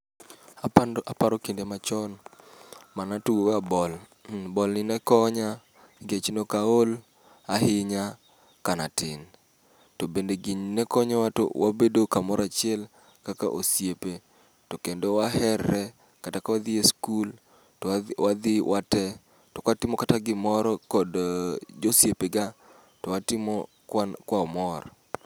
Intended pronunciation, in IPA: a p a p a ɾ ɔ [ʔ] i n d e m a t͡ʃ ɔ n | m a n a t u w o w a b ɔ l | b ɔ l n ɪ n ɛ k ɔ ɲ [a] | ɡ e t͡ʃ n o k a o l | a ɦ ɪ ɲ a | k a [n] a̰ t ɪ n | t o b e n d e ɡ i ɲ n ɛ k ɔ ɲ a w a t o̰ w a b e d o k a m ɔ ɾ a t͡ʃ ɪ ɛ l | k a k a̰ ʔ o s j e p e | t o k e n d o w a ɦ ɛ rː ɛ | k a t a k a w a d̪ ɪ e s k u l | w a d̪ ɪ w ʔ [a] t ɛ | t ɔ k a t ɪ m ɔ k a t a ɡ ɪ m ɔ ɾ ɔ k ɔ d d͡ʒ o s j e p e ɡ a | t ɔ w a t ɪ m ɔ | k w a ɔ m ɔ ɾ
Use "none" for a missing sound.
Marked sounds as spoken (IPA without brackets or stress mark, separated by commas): k, a, n, a